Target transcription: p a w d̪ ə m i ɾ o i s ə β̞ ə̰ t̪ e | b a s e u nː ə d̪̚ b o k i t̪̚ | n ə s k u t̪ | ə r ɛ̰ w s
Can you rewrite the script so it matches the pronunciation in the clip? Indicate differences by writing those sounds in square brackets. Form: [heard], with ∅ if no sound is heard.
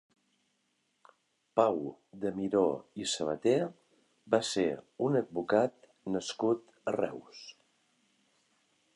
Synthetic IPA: p a w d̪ ə m i ɾ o i s ə β̞ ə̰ t̪ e | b a s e u [n] ə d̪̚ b [u] k [a] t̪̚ | n ə s k u t̪ | ə r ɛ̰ w s